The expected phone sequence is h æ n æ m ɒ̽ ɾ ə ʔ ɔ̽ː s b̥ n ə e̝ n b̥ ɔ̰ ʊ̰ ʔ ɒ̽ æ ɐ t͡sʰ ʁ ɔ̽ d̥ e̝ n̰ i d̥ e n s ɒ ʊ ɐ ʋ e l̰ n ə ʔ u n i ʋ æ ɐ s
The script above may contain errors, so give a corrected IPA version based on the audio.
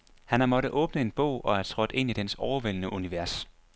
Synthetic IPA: h æ n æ m ɒ̽ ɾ ə ʔ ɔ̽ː b̥ n ə e̝ n b̥ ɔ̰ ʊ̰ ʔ ɒ̽ æ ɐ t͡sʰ ʁ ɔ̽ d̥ e̝ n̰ i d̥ e n s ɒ ʊ ɐ ʋ e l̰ n ə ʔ u n i ʋ æ ɐ s